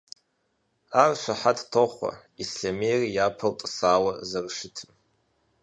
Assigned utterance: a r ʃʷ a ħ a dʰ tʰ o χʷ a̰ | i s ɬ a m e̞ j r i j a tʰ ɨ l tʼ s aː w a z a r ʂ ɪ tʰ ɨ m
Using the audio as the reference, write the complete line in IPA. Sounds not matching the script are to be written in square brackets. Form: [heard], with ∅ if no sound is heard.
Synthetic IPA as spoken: a r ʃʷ a ħ a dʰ tʰ o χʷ a̰ | i s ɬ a m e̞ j r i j a [pʰ] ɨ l tʼ s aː w a z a r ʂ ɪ tʰ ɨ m